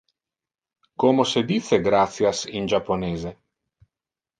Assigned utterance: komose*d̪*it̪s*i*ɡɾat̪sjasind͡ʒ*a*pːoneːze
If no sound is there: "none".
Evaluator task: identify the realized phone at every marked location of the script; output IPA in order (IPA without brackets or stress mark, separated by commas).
d̪, e, a